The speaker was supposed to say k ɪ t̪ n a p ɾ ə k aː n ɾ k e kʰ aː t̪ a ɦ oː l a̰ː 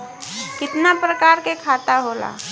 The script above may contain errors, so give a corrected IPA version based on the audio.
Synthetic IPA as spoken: k ɪ t̪ n a p ɾ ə k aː ɾ k e kʰ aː t̪ a ɦ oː l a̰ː